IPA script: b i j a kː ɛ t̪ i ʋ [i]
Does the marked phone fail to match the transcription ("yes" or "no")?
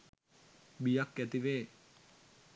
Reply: yes